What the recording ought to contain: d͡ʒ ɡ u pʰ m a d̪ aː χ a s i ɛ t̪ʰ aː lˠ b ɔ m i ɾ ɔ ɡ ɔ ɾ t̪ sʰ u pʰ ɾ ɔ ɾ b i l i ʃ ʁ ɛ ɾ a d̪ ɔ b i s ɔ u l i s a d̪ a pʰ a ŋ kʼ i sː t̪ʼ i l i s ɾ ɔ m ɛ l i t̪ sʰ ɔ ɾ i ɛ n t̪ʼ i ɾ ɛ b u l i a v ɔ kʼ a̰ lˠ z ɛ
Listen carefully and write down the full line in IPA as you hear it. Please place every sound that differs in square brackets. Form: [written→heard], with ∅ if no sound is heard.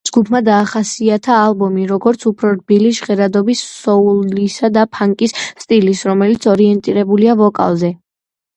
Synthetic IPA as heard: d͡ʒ ɡ u pʰ m a d̪ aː χ a s i [ɛ→a] t̪ʰ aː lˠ b ɔ m i ɾ ɔ ɡ ɔ ɾ t̪ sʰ u pʰ ɾ ɔ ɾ b i l i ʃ ʁ ɛ ɾ a d̪ ɔ b i s ɔ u l i s a d̪ a pʰ a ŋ kʼ i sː t̪ʼ i l i s ɾ ɔ m ɛ l i t̪ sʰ ɔ ɾ i ɛ n t̪ʼ i ɾ ɛ b u l i a v ɔ kʼ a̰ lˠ z ɛ